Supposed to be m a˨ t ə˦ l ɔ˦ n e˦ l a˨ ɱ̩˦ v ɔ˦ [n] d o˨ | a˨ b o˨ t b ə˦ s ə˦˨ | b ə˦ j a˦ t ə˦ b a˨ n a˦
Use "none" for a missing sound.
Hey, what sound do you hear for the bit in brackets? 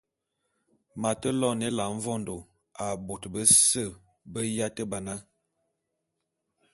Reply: n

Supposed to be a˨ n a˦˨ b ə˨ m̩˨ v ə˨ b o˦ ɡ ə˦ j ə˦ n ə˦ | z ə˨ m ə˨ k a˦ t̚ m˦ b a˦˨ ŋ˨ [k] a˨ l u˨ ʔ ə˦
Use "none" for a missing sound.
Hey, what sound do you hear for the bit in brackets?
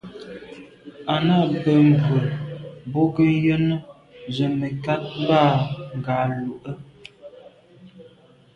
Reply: ɡ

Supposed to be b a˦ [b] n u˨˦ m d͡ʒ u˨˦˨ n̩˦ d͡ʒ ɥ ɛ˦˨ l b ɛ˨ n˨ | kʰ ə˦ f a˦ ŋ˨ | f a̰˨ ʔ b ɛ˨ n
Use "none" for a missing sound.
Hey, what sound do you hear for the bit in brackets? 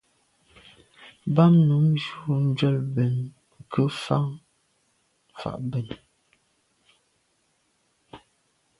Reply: m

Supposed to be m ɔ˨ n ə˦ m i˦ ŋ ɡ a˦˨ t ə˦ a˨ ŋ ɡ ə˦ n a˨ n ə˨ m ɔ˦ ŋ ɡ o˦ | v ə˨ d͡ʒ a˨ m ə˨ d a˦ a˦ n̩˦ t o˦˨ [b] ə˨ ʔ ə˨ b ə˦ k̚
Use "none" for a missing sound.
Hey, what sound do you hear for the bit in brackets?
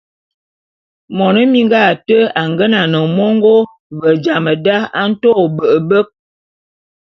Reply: b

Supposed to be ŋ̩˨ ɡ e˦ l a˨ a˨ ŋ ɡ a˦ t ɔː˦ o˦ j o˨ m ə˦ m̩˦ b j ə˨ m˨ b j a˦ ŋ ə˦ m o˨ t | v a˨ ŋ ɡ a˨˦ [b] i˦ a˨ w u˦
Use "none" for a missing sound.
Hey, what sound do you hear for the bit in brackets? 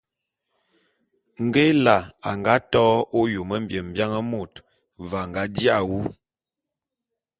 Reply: d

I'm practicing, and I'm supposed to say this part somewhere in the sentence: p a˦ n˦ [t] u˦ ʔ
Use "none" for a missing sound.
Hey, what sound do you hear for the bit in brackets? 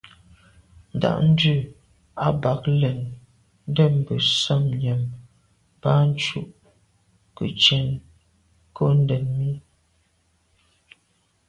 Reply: t͡ʃ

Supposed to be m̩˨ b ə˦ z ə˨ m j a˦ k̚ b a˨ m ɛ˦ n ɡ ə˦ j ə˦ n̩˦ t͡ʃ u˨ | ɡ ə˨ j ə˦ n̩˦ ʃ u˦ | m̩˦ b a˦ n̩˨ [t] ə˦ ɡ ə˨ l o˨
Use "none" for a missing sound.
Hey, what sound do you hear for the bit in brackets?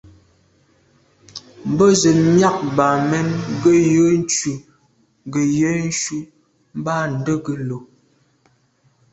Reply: d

